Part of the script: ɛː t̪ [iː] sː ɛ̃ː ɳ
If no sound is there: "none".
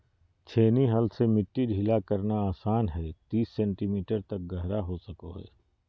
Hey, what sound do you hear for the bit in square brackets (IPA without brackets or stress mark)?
iː